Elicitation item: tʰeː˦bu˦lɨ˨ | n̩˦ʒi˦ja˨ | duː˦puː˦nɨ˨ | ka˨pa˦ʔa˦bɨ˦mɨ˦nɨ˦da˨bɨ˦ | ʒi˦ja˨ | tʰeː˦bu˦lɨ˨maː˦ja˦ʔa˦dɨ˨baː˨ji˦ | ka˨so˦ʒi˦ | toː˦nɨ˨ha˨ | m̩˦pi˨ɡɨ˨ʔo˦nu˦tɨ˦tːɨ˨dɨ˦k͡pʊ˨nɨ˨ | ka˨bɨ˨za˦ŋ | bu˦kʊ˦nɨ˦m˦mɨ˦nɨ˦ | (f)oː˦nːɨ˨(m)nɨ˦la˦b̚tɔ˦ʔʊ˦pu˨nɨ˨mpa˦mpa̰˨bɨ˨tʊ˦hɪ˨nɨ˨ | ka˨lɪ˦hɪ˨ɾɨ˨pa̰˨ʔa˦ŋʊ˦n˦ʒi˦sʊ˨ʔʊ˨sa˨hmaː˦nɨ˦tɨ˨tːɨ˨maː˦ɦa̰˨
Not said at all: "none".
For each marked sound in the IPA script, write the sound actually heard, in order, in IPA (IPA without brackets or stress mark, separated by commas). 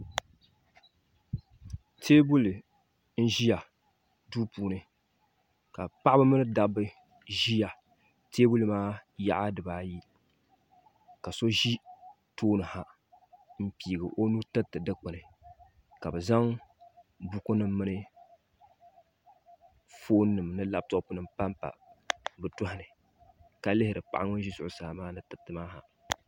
f, m